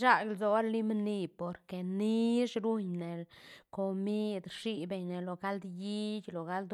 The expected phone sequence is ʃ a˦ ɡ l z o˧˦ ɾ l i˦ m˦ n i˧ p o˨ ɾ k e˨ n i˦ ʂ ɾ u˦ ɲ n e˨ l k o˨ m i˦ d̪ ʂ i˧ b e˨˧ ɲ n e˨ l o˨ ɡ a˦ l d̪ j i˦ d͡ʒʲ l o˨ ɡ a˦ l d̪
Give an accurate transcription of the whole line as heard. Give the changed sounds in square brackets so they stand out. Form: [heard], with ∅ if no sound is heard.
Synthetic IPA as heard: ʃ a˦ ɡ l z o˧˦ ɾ l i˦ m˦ n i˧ p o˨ ɾ k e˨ n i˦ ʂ ɾ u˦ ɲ n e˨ l k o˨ m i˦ d̪ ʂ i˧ b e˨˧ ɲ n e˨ l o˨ ɡ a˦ l d̪ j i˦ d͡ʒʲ l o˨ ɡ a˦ l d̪